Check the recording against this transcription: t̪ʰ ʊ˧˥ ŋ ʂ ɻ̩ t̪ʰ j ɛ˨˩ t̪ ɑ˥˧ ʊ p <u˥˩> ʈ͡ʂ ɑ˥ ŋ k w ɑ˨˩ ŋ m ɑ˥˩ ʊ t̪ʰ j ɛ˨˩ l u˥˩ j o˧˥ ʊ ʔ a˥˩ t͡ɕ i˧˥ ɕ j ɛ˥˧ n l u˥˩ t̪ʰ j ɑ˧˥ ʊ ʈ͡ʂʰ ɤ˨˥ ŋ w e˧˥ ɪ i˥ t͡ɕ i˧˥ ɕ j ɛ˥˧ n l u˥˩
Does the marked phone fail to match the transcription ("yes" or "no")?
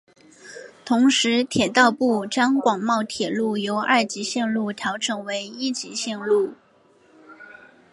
no